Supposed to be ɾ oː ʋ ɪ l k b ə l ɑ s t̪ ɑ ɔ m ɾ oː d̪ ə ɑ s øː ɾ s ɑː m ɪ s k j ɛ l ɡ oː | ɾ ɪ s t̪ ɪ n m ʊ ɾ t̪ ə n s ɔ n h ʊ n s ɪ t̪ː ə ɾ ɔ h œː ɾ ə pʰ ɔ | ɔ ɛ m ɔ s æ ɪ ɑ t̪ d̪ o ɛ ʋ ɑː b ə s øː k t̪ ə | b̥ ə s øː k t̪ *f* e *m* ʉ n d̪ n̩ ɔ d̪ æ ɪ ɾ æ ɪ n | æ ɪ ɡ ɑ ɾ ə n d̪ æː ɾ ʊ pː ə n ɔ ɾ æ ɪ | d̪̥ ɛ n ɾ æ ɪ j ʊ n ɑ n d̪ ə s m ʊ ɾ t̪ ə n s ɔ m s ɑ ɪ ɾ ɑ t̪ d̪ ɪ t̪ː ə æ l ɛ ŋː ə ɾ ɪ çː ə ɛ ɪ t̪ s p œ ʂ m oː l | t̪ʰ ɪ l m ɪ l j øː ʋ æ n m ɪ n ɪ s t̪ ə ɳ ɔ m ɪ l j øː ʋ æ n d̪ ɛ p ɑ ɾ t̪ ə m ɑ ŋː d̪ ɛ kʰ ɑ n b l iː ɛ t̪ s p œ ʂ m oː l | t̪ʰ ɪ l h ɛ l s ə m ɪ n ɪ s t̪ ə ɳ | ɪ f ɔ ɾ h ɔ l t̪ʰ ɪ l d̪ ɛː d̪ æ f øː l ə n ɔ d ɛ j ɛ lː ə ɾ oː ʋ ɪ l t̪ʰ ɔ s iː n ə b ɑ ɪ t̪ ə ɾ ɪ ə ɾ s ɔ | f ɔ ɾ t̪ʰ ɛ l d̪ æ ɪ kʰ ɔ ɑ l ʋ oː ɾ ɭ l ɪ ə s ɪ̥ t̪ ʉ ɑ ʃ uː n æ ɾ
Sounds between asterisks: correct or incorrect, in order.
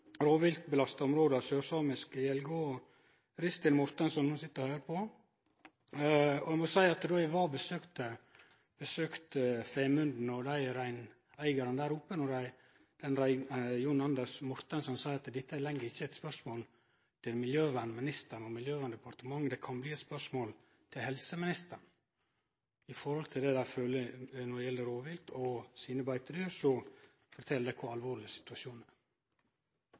correct, correct

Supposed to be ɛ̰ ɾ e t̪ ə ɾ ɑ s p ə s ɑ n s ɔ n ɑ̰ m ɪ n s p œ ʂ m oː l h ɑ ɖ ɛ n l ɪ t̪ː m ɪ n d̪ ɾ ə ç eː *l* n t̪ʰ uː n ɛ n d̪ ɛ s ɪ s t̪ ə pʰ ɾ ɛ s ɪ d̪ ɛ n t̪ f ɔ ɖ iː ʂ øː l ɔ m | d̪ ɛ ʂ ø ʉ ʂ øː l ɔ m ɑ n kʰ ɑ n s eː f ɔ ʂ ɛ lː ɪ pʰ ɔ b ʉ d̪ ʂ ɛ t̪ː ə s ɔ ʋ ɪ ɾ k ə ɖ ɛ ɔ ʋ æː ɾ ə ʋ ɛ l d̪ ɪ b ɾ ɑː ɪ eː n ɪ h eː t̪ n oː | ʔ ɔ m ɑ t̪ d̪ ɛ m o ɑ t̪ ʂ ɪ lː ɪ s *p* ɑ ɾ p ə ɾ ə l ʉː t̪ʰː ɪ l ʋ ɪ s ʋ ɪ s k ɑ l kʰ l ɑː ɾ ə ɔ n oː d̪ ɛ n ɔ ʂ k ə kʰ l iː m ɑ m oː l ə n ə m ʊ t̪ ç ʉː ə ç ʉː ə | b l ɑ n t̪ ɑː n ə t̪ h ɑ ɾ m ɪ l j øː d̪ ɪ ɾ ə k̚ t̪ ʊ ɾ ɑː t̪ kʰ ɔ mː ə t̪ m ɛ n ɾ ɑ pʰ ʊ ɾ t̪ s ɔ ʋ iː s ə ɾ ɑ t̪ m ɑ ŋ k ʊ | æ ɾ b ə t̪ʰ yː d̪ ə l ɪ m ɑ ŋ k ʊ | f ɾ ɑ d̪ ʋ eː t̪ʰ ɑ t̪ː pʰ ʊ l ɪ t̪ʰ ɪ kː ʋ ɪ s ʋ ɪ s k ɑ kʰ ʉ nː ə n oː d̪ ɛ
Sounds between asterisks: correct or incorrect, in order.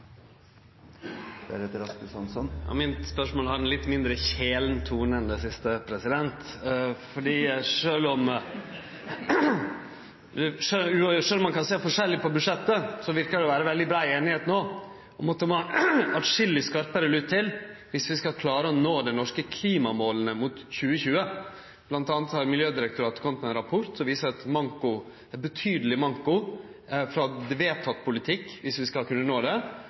correct, incorrect: k

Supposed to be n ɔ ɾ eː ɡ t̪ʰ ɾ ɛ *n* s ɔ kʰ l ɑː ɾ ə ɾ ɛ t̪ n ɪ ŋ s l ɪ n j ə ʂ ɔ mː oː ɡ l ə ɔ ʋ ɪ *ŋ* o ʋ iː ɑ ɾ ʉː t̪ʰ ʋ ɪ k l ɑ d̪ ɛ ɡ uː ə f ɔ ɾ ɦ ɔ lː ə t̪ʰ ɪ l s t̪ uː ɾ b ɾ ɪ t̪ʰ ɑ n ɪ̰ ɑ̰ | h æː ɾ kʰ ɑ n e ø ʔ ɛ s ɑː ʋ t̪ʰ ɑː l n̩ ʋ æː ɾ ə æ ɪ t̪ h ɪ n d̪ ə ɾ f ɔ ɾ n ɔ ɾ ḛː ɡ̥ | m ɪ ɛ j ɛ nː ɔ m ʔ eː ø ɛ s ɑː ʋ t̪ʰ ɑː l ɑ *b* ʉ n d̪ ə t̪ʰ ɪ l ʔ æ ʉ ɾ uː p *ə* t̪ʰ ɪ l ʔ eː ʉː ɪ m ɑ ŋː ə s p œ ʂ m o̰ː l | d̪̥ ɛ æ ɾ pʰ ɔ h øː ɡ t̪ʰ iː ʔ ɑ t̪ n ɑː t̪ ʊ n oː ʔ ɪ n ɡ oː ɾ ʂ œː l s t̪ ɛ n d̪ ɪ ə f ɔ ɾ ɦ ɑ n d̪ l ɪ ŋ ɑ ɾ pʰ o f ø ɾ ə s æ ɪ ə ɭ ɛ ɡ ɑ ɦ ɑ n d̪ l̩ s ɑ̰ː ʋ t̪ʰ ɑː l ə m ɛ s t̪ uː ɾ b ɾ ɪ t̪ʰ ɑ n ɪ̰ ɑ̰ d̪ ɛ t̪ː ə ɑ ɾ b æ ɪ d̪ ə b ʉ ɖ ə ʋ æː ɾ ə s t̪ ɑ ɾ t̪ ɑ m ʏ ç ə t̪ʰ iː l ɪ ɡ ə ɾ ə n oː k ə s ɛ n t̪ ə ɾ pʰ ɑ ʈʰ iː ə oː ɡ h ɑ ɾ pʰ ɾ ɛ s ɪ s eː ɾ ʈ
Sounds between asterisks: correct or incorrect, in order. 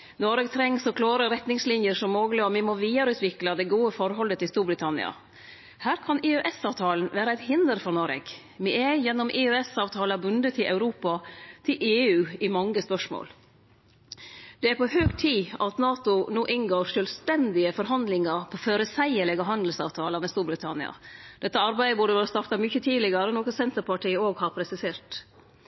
incorrect: ŋ, incorrect: m, correct, incorrect: ɑ

